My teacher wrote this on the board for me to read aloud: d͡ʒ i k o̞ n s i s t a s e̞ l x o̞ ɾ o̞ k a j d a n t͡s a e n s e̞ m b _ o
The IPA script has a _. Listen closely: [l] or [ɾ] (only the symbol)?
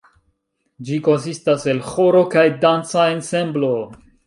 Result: l